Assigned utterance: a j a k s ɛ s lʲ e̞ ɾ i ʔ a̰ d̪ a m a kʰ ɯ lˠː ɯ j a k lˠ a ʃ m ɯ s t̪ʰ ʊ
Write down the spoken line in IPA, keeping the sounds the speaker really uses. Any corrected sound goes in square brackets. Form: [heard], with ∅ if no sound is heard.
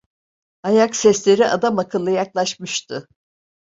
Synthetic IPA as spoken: a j a k s ɛ s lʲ e̞ ɾ i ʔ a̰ d̪ a m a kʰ ɯ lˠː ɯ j a k lˠ a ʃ m ɯ [ʃ] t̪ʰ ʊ